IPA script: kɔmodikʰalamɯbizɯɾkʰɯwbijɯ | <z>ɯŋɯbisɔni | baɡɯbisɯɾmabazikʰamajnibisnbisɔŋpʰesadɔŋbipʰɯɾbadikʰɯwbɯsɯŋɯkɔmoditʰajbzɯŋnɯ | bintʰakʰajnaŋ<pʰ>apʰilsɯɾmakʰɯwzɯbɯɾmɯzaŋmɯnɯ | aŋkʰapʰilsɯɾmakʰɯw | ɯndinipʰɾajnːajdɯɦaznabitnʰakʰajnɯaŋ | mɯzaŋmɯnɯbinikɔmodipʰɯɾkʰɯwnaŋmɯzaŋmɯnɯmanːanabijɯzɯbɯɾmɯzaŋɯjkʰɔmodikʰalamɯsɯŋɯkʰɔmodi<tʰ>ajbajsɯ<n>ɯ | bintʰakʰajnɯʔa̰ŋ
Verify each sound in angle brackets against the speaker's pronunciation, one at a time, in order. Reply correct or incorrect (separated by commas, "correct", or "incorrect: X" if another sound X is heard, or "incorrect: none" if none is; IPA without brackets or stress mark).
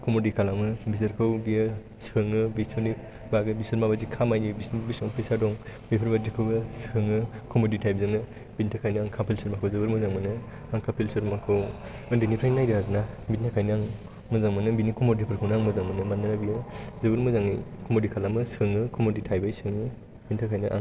incorrect: s, incorrect: kʰ, correct, incorrect: ŋ